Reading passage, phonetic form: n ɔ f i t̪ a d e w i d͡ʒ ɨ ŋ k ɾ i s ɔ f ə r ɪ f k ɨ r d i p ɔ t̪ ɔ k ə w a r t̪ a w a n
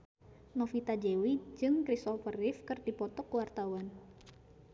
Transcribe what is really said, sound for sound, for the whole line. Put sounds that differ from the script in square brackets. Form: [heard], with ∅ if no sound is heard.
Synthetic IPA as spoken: n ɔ f i t̪ a [d͡ʒ] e w i d͡ʒ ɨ ŋ k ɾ i s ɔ f ə r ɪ f k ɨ r d i p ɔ t̪ ɔ k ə w a r t̪ a w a n